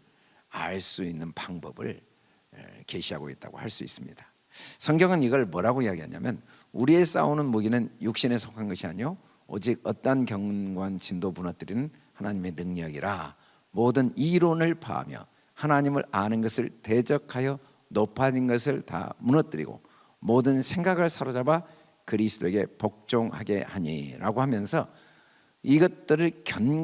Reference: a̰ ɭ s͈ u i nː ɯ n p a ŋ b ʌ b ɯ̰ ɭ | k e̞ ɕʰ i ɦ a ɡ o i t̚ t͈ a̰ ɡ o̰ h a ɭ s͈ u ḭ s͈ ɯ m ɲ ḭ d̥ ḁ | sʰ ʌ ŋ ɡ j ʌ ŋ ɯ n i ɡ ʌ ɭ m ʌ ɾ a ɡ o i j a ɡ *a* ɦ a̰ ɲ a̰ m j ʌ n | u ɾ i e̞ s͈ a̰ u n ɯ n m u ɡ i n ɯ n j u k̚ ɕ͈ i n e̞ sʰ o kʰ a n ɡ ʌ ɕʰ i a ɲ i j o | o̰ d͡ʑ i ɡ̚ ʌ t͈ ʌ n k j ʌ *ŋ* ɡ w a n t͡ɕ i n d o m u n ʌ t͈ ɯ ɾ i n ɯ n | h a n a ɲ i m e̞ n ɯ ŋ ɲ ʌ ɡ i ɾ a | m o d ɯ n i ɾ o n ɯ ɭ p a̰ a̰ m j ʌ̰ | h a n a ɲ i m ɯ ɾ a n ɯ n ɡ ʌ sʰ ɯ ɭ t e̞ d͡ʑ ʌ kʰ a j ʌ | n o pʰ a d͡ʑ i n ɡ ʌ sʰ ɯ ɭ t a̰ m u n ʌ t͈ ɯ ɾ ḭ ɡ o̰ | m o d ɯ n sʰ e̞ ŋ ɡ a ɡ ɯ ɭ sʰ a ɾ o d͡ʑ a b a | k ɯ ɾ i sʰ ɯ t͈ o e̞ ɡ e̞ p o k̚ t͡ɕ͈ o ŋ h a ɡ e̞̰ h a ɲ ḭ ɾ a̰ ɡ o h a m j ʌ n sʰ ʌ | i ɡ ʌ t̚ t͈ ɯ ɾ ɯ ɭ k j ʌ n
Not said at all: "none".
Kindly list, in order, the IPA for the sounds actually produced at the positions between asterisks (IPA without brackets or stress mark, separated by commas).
i, ŋ